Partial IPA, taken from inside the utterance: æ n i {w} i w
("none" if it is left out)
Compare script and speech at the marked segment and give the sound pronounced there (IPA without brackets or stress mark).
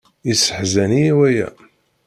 none